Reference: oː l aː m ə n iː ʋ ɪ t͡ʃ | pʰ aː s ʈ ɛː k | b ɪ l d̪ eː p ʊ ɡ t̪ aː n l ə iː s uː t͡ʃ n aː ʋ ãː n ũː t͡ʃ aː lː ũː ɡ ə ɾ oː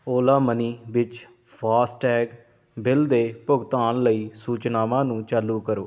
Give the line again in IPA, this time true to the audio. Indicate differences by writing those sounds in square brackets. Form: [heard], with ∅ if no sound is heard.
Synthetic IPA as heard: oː l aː m ə n iː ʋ ɪ t͡ʃ | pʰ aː s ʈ ɛː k | b ɪ l d̪ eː p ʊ ɡ t̪ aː n l ə iː s uː t͡ʃ n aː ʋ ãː n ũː t͡ʃ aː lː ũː [k] ə ɾ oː